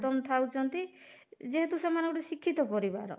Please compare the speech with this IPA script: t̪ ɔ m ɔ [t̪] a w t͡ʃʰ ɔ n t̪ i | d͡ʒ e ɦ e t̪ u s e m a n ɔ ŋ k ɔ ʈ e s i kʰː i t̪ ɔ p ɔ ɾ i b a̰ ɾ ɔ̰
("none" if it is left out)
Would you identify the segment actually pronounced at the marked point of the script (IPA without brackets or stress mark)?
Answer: t̪ʰ